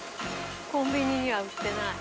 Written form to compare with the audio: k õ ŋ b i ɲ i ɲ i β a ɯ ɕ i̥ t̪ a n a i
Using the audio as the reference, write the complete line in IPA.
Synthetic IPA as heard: k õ m b i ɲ i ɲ i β a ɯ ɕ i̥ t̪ e n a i